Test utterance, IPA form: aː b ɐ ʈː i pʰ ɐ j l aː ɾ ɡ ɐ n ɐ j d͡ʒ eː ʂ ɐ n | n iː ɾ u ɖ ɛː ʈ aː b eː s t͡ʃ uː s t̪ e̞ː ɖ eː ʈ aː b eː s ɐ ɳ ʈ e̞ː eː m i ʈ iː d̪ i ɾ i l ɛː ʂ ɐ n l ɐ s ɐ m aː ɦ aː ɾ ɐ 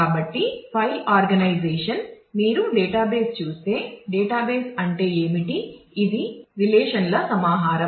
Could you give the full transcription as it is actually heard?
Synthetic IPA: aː b ɐ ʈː i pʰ ɐ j l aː ɾ ɡ ɐ n ɐ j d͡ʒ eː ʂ ɐ n | m iː ɾ u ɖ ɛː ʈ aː b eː s t͡ʃ uː s t̪ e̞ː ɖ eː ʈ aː b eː s ɐ ɳ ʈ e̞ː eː m i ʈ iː d̪ i ɾ i l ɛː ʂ ɐ n l ɐ s ɐ m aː ɦ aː ɾ ɐ